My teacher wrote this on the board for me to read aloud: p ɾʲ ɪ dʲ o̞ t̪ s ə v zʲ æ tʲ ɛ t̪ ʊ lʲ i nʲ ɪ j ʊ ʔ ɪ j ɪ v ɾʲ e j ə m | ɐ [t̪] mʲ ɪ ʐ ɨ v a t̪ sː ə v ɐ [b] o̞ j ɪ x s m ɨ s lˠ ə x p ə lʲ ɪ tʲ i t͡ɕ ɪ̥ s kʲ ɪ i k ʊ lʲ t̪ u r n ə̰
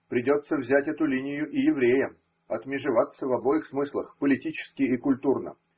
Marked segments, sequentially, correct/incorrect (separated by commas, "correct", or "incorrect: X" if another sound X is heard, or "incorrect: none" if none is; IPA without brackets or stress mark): correct, correct